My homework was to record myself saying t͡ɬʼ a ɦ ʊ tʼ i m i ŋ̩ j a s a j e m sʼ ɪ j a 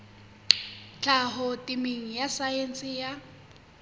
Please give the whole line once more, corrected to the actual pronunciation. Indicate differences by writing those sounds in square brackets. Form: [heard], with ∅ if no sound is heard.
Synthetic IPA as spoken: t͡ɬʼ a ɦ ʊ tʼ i m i ŋ̩ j a s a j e [n] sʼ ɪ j a